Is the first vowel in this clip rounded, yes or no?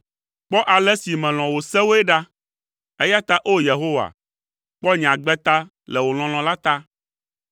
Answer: yes